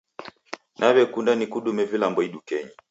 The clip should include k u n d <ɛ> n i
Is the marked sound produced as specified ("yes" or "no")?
no